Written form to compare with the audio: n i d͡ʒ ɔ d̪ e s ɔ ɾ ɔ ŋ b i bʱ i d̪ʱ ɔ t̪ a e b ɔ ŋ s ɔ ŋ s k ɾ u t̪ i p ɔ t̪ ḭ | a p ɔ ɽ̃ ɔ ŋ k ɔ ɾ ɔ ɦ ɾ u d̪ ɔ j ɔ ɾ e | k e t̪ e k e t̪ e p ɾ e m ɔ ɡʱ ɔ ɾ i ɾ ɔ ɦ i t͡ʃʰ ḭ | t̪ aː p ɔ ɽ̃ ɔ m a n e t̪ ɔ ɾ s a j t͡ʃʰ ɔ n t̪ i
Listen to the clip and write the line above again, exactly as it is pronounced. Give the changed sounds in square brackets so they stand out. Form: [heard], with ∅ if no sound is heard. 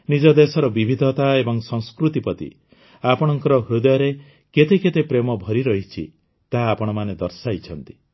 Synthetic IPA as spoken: n i d͡ʒ ɔ d̪ e s ɔ ɾ ɔ [∅] b i bʱ i d̪ʱ ɔ t̪ a e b ɔ ŋ s ɔ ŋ s k ɾ u t̪ i p ɔ t̪ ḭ | a p ɔ ɽ̃ ɔ ŋ k ɔ ɾ ɔ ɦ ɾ u d̪ ɔ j ɔ ɾ e | k e t̪ e k e t̪ e p ɾ e m ɔ [bʱ] ɔ ɾ i ɾ ɔ ɦ i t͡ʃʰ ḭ | t̪ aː p ɔ ɽ̃ ɔ m a n e [d̪] ɔ ɾ s a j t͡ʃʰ ɔ n t̪ i

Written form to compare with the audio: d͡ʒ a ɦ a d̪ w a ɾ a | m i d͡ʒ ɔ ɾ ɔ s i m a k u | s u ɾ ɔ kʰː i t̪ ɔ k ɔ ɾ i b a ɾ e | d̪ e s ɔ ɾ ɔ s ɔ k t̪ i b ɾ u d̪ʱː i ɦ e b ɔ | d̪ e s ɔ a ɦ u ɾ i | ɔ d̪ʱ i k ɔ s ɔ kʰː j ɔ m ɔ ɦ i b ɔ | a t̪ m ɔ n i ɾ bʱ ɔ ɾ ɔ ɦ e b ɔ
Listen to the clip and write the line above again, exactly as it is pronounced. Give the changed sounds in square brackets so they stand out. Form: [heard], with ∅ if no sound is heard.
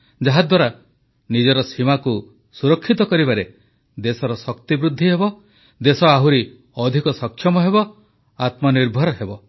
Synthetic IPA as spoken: d͡ʒ a ɦ a d̪ w a ɾ a | [n] i d͡ʒ ɔ ɾ ɔ s i m a k u | s u ɾ ɔ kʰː i t̪ ɔ k ɔ ɾ i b a ɾ e | d̪ e s ɔ ɾ ɔ s ɔ k t̪ i b ɾ u d̪ʱː i ɦ e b ɔ | d̪ e s ɔ a ɦ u ɾ i | ɔ d̪ʱ i k ɔ s ɔ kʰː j ɔ m ɔ ɦ [e] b ɔ | a t̪ m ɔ n i ɾ bʱ ɔ ɾ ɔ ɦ e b ɔ

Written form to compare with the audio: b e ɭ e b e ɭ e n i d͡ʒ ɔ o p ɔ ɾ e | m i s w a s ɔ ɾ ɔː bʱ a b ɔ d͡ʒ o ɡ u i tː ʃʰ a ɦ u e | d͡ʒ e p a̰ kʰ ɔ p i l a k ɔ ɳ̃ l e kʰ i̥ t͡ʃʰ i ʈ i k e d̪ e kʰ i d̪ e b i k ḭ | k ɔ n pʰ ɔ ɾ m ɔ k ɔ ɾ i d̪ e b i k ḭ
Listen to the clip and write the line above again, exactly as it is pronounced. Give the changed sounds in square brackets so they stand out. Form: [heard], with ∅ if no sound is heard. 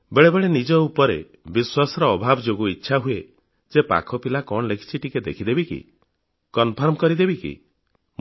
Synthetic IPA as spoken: b e ɭ e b e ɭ e n i d͡ʒ ɔ [u] p ɔ ɾ e | [b] i s w a s ɔ ɾ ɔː bʱ a b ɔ d͡ʒ o ɡ u i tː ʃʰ a ɦ u e | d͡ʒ e p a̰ kʰ ɔ p i l a k ɔ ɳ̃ l e kʰ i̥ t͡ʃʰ i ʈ i k e d̪ e kʰ i d̪ e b i k ḭ | k ɔ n pʰ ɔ ɾ m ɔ k ɔ ɾ i d̪ e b i k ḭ

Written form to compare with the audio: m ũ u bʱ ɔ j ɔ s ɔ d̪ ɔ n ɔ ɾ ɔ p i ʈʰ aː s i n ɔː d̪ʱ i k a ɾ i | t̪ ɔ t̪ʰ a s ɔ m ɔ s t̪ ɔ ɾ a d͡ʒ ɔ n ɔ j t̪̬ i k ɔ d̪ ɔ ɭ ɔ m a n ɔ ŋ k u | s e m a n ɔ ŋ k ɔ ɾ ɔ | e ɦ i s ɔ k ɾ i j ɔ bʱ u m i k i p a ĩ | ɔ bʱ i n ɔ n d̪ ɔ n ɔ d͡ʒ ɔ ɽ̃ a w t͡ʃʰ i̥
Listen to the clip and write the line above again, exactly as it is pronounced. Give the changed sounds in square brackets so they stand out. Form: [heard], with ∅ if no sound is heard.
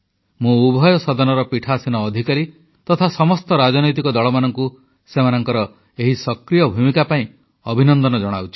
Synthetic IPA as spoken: m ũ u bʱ ɔ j ɔ s ɔ d̪ ɔ n ɔ ɾ ɔ p i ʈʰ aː s i n ɔː d̪ʱ i k a ɾ i | t̪ ɔ t̪ʰ a s ɔ m ɔ s t̪ ɔ ɾ a d͡ʒ ɔ n ɔ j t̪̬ i k ɔ d̪ ɔ ɭ ɔ m a n ɔ ŋ k u | s e m a n ɔ ŋ k ɔ ɾ ɔ | e ɦ i s ɔ k ɾ i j ɔ bʱ u m i k [a] p a ĩ | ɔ bʱ i n ɔ n d̪ ɔ n ɔ d͡ʒ ɔ ɽ̃ a w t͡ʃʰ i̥

